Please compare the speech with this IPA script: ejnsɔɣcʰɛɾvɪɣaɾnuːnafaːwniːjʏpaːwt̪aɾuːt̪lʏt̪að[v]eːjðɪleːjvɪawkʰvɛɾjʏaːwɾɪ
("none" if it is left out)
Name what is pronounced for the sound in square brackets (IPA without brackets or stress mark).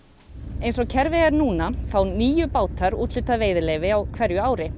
v